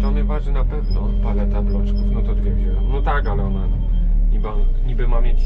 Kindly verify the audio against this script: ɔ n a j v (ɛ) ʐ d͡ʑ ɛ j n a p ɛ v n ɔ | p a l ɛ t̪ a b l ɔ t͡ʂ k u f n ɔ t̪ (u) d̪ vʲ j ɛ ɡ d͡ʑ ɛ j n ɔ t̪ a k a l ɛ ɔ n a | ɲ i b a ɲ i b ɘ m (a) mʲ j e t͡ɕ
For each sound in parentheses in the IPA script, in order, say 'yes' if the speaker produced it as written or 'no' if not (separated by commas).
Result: no, no, yes